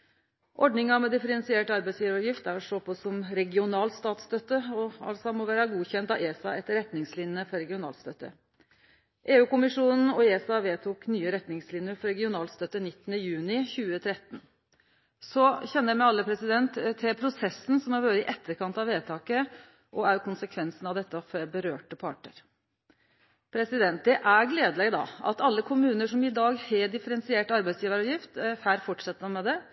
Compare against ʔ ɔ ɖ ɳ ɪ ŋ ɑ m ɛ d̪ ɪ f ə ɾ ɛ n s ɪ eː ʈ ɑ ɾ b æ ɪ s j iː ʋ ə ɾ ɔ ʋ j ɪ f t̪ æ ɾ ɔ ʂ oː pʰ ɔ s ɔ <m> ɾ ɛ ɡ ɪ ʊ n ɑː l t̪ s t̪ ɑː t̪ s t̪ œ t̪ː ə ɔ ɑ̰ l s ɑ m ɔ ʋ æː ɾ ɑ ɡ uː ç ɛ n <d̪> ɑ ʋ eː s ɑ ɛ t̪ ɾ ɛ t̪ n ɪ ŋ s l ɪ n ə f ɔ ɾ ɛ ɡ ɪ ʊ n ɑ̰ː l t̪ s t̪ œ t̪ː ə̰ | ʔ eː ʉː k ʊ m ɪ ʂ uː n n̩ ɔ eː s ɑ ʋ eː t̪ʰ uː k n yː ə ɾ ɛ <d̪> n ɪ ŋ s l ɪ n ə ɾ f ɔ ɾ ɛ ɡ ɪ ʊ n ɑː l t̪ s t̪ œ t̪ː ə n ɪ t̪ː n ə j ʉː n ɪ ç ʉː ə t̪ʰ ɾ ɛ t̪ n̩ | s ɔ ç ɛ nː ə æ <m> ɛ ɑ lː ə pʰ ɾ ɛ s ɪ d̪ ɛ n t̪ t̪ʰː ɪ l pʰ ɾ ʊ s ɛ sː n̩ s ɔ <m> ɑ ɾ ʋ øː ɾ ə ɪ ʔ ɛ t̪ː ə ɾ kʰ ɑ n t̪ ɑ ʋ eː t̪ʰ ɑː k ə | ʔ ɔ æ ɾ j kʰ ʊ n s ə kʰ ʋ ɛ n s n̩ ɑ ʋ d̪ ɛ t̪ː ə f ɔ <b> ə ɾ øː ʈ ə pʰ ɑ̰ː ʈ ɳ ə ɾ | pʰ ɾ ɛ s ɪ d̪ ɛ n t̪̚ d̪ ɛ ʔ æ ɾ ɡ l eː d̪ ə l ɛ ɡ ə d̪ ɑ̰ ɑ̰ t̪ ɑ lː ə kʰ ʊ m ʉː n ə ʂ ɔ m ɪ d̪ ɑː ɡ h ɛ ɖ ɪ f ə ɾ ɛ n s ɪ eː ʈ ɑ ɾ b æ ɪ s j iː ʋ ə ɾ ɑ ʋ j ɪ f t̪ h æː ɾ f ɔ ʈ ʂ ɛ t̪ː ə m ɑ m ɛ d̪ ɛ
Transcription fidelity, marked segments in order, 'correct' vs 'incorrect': correct, incorrect: t̪, incorrect: t̪, correct, correct, correct

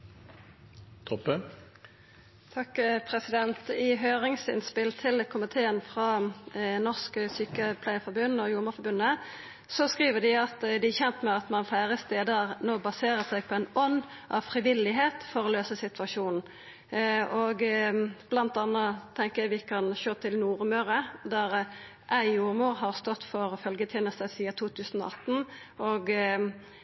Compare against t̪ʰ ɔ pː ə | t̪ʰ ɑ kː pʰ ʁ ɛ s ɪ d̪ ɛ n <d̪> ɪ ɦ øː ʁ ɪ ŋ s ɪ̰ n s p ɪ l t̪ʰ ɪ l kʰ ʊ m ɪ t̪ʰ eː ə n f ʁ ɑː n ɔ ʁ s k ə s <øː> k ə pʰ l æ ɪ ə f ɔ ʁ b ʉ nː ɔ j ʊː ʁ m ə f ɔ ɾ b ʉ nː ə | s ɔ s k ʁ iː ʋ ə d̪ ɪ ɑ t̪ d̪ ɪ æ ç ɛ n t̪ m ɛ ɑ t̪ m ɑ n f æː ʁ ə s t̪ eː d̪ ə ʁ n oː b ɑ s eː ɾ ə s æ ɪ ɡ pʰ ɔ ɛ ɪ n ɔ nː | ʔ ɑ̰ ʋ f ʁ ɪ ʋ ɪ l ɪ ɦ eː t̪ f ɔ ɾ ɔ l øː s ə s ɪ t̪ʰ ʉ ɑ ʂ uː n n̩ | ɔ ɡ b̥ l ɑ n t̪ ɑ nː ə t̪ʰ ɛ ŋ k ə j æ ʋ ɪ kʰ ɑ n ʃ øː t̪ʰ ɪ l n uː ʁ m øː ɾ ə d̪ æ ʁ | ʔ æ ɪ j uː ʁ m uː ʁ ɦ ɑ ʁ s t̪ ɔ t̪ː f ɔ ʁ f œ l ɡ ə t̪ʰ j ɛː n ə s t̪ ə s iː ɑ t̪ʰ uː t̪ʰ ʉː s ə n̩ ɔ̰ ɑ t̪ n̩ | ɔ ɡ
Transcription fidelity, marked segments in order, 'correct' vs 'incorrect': incorrect: t̪, incorrect: yː

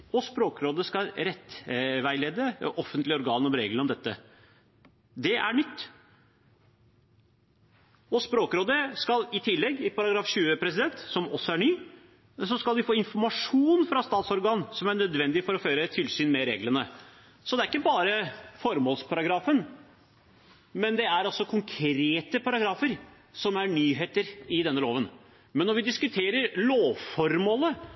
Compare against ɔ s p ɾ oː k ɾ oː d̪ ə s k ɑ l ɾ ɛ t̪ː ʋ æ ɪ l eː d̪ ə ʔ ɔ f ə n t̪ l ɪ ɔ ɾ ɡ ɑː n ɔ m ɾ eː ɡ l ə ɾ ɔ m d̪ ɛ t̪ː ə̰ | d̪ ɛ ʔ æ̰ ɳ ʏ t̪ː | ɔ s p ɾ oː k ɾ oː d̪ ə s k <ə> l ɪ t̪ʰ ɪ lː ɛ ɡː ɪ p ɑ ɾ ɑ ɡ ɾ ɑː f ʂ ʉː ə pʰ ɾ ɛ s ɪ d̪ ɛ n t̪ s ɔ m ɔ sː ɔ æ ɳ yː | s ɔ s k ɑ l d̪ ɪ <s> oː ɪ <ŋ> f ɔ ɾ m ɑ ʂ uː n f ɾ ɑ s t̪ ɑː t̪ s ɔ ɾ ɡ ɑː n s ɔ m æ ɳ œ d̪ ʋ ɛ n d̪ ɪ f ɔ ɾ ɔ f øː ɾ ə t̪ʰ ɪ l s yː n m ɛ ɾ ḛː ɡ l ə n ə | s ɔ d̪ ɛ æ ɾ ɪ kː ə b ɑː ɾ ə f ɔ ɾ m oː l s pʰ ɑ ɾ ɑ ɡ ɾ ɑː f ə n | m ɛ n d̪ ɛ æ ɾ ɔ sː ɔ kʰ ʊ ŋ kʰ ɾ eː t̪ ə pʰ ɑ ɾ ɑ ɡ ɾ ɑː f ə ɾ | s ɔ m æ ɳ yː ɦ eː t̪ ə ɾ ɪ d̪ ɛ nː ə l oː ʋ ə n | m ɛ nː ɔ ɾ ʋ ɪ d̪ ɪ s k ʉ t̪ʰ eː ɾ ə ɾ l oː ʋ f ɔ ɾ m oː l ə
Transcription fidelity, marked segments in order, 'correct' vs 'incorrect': incorrect: ɑ, incorrect: f, incorrect: n

